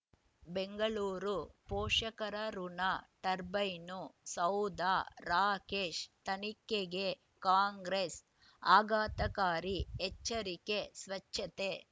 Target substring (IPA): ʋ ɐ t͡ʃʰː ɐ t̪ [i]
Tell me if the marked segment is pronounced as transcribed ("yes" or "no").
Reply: no